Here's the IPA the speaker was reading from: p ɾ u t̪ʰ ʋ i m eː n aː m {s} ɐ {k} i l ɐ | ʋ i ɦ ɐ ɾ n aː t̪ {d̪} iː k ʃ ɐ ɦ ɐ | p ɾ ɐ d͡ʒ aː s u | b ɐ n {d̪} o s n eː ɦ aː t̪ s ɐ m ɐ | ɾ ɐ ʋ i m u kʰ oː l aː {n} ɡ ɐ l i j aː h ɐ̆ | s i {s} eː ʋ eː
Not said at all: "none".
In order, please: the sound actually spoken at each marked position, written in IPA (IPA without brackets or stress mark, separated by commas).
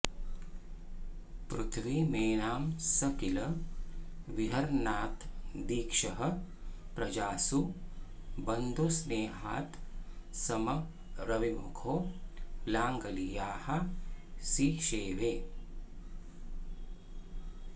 s, k, d̪, d̪, ŋ, ʃ